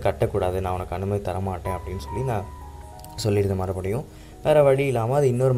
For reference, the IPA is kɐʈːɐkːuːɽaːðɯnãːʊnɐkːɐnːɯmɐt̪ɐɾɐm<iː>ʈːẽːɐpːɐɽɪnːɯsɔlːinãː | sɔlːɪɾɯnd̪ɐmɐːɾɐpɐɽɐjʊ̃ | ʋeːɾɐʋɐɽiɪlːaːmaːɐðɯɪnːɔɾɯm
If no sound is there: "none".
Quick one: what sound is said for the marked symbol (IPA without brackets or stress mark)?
aː